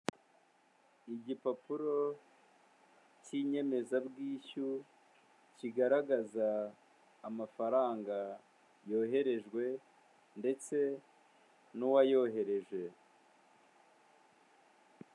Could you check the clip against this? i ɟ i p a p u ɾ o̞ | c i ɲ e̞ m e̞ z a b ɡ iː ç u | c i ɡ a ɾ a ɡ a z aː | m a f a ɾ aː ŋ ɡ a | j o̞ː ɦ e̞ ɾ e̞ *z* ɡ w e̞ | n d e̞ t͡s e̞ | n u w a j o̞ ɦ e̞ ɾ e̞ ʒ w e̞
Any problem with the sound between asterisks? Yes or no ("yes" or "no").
yes